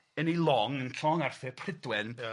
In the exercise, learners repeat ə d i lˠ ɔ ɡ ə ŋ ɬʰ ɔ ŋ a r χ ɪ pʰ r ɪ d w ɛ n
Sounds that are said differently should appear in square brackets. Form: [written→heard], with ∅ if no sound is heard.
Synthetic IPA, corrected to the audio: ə [d→n] i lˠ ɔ [ɡ→ŋ] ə [ŋ→n] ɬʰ ɔ ŋ a r [χ→θ] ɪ pʰ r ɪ d w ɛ n